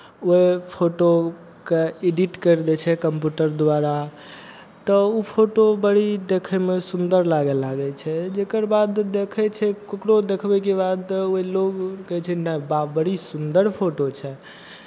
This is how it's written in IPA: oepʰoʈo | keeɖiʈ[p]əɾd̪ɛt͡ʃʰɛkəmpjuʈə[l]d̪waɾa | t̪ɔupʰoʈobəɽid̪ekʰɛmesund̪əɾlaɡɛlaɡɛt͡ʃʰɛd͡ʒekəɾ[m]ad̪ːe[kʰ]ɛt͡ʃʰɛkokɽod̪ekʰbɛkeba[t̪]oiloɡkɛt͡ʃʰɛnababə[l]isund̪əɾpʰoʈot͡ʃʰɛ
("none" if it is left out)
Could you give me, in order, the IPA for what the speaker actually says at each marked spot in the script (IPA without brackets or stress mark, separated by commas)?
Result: k, ɾ, b, kʰ, d̪, ɽ